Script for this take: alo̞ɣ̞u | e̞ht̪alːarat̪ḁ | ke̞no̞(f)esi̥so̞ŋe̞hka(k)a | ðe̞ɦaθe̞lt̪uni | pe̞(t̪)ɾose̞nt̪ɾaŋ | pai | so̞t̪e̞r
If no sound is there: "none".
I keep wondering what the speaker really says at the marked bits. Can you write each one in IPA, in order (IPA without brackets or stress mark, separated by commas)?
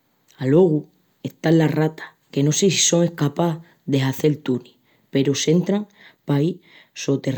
s, p, none